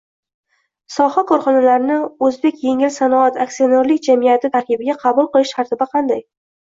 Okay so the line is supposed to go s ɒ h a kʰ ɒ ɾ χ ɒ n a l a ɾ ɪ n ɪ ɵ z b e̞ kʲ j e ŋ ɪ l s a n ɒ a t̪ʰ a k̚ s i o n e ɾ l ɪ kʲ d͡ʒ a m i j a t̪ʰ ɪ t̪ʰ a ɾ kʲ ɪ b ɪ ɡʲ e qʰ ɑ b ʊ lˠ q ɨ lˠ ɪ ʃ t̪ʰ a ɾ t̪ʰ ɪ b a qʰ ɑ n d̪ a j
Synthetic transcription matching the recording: s ɒ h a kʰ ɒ ɾ χ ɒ n a l a ɾ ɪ n ɪ ɵ z b e̞ kʲ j e ŋ ɪ l s a n ɒ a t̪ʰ a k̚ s i o n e ɾ l ɪ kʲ d͡ʒ a m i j a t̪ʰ ɪ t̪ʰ a ɾ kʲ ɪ b ɪ ɡʲ a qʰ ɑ b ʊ lˠ q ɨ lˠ ɪ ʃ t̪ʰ a ɾ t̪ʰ ɪ b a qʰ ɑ n d̪ a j